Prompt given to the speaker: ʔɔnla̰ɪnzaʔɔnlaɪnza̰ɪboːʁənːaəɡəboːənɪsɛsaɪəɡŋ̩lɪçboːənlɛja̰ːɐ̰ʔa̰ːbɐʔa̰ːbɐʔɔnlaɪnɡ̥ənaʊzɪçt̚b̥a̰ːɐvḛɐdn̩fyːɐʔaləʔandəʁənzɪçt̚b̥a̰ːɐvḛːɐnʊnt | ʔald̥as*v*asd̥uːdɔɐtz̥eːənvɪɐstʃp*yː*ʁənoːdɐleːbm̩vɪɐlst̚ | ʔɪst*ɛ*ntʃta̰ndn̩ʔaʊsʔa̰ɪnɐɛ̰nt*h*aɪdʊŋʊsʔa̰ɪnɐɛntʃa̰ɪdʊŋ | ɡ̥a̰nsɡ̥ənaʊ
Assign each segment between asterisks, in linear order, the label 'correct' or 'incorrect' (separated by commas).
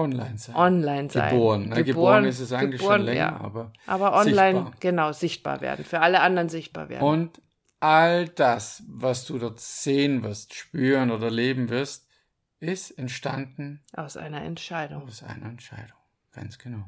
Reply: correct, correct, correct, incorrect